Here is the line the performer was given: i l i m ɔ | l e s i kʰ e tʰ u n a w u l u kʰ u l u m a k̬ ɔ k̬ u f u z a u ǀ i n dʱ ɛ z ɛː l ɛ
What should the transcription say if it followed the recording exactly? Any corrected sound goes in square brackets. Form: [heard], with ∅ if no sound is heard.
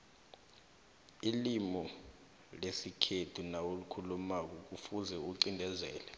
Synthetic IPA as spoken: i l i m ɔ | l e s i kʰ e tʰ u n a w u l u kʰ u l u m a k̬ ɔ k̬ u f u z [ɛ] u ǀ i n dʱ ɛ z ɛː l ɛ